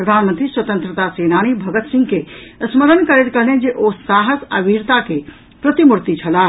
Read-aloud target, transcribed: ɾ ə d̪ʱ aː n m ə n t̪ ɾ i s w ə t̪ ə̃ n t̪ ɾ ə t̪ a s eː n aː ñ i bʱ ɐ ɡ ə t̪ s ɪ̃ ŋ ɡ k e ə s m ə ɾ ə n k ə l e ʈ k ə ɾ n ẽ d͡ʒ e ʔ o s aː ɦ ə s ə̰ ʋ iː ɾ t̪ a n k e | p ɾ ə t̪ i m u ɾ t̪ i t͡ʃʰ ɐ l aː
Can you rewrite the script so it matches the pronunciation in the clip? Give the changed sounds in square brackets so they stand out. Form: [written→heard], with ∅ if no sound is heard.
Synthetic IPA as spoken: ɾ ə d̪ʱ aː n m ə n t̪ ɾ i s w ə t̪ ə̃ n t̪ ɾ ə t̪ a s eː n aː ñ i bʱ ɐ ɡ ə t̪ s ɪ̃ ŋ ɡ k e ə s m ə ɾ ə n k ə [l→ɾ] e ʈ k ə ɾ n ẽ d͡ʒ e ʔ o s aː ɦ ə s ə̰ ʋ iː ɾ t̪ a [n→∅] k e | p ɾ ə t̪ i m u ɾ t̪ i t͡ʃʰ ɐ l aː